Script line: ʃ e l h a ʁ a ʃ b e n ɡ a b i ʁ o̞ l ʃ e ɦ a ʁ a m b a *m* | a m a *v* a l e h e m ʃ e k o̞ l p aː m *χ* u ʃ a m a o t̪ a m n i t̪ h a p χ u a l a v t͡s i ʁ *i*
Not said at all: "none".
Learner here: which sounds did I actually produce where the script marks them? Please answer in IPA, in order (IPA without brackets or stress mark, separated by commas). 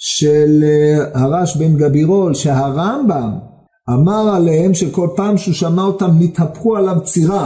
m, ʁ, ʃ, a